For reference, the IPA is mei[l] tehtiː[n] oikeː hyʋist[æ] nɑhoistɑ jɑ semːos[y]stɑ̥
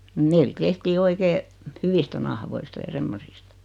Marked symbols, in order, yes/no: yes, no, yes, no

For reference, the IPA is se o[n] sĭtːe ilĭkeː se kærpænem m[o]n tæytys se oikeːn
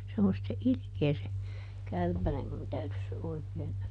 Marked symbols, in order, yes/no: yes, no

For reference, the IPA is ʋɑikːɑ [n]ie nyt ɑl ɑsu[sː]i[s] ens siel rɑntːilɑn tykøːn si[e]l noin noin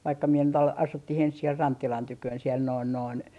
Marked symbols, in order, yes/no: no, no, no, yes

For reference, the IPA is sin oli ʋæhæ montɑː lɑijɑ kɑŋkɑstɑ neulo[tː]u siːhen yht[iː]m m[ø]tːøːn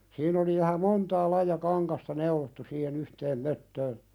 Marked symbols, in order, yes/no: yes, no, yes

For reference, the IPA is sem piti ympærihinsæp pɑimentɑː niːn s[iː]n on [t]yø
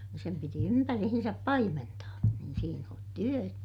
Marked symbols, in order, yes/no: yes, yes

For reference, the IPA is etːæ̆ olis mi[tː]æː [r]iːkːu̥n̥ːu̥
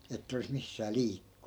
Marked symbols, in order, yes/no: no, no

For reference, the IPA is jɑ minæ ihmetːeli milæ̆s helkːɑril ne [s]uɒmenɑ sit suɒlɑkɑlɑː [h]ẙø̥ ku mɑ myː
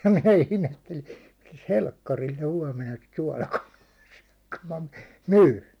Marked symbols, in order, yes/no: no, no

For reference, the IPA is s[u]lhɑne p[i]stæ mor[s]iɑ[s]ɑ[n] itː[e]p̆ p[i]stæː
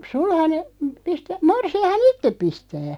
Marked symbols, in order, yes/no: yes, yes, yes, no, yes, yes, yes

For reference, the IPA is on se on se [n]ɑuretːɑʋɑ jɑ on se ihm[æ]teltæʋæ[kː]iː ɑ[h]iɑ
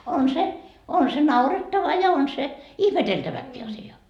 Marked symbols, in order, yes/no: yes, no, yes, no

